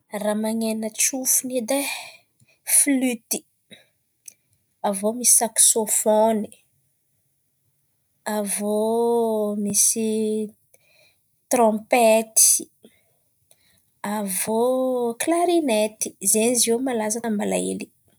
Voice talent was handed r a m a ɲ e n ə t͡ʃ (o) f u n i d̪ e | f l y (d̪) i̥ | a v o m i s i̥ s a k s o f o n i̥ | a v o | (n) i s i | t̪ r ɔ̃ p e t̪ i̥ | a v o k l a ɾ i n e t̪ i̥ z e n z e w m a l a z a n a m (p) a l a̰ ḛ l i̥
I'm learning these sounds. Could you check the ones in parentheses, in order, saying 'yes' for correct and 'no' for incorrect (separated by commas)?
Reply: no, no, no, no